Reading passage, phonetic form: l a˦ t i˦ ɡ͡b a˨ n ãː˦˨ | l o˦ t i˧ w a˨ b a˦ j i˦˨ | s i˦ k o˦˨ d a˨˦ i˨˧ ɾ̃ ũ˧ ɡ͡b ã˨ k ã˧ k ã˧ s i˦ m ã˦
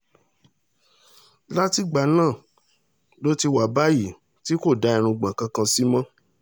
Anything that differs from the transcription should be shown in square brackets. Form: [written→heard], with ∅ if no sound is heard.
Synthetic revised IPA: l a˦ t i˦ ɡ͡b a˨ n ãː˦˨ | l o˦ t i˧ w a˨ b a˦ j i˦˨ | [s→t] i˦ k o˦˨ d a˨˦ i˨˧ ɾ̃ ũ˧ ɡ͡b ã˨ k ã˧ k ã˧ s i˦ m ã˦